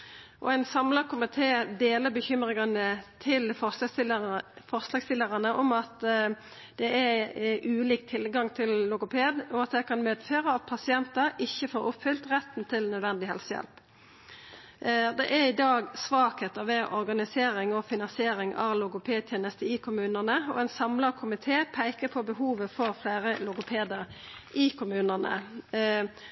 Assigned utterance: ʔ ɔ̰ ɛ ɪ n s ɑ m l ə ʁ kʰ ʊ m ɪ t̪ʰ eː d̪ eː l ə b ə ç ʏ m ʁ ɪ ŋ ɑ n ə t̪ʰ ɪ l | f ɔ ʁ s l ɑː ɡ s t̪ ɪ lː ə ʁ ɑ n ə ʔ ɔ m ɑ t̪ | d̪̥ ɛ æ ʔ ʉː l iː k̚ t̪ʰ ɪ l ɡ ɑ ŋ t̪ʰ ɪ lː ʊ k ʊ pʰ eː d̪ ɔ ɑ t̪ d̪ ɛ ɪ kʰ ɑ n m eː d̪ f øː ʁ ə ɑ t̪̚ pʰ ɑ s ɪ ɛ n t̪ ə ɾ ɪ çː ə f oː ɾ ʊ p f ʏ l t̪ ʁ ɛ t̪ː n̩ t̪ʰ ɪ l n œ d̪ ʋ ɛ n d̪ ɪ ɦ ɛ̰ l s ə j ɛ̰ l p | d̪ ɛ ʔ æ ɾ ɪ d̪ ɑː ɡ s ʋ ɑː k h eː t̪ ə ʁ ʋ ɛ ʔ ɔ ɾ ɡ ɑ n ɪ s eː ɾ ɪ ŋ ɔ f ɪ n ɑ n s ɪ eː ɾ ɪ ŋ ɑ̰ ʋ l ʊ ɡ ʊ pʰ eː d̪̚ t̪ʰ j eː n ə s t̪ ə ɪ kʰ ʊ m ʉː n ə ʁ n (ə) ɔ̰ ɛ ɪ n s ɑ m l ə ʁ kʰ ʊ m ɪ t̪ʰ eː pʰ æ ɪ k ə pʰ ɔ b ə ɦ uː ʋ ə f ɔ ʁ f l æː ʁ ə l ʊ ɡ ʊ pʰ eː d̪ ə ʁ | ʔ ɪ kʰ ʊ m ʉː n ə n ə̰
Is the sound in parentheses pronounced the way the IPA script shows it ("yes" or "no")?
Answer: yes